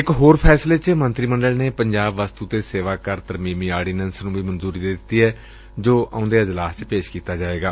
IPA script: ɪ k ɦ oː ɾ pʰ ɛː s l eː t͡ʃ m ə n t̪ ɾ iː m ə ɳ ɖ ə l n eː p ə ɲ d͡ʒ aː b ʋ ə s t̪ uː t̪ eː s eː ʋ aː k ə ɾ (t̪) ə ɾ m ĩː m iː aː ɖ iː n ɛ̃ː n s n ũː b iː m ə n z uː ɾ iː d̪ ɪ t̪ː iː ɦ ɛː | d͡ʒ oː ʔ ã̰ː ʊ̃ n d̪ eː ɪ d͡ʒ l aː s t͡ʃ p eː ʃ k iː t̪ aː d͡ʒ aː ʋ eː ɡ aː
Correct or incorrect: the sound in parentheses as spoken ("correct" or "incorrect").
correct